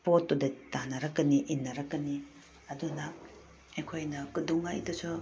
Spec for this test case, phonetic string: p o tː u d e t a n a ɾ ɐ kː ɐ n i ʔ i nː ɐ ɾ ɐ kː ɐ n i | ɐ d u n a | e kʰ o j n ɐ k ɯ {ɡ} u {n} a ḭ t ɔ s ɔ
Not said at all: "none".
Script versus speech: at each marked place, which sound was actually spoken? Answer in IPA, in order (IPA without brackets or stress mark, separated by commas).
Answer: d, ŋ